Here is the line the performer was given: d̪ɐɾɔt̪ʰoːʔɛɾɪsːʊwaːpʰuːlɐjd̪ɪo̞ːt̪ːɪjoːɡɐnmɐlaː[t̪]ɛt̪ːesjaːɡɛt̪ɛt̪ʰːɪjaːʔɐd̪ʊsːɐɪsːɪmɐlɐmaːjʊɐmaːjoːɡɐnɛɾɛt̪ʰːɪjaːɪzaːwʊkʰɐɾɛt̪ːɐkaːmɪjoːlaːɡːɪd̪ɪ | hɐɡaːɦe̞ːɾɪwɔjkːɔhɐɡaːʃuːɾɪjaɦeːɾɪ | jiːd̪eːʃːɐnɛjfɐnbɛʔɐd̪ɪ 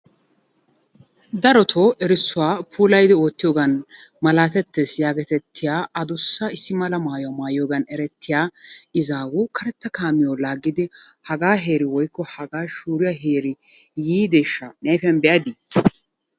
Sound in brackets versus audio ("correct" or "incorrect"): correct